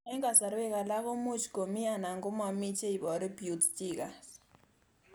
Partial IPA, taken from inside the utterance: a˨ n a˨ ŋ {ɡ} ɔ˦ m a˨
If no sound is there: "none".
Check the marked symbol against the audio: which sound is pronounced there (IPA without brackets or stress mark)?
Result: ɡ